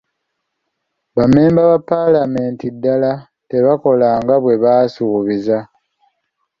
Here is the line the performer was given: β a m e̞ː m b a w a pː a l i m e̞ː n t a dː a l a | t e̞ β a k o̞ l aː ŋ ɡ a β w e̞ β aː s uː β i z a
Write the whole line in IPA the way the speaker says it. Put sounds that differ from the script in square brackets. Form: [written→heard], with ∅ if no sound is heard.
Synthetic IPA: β a m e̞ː m b a [w→β] a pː a l [i→a] m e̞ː n t [a→i] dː a l a | t e̞ β a k o̞ l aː ŋ ɡ a β w e̞ β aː s uː β i z a